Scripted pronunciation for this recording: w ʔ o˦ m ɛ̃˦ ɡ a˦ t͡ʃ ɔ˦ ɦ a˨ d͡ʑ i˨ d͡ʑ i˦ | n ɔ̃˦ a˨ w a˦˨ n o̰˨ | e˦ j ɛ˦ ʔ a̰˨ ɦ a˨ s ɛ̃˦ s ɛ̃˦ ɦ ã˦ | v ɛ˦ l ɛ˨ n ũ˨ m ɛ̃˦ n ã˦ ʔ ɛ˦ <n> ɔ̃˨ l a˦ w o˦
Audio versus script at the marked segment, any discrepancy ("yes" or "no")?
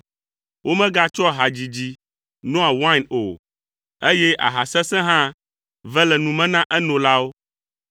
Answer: no